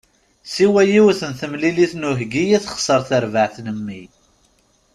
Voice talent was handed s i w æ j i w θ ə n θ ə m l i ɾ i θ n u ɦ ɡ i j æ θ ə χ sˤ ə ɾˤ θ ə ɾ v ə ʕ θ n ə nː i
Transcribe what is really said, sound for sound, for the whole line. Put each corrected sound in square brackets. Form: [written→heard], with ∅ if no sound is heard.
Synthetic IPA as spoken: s i w æ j i w θ ə n θ ə m l i [ɾ→l] i θ n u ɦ ɡ i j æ θ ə χ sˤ ə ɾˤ θ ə ɾ v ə ʕ θ n ə [nː→mː] i